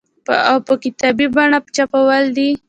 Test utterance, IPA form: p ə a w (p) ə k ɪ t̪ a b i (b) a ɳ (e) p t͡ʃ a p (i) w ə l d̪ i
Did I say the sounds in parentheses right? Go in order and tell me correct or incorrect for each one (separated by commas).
correct, correct, incorrect, incorrect